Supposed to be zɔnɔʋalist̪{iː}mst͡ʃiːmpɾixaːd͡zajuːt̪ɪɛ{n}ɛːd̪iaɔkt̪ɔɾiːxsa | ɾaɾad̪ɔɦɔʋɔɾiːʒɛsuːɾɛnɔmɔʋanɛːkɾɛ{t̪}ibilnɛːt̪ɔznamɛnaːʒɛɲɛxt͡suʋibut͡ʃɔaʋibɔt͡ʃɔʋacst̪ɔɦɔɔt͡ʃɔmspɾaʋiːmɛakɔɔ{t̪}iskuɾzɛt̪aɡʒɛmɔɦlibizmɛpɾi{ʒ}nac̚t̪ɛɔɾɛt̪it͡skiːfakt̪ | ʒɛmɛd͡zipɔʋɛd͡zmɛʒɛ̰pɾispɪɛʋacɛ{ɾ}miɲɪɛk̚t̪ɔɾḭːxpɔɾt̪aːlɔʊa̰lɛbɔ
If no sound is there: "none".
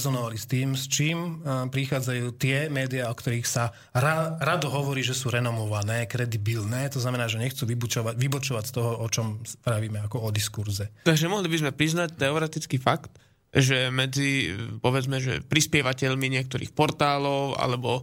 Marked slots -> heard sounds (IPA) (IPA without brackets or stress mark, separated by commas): iː, m, d̪, d̪, z, ʎ